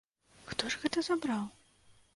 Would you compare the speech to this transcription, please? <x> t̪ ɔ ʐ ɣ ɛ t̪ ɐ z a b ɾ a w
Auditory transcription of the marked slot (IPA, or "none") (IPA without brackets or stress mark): x